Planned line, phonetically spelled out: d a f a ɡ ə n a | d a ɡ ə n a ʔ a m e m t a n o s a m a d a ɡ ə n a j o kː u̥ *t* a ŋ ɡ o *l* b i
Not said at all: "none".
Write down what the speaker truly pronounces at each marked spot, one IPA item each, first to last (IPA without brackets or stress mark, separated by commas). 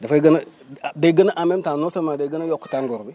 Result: t, ɾ